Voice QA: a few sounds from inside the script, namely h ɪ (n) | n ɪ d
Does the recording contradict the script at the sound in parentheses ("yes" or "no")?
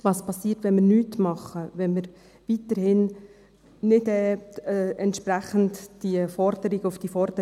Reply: no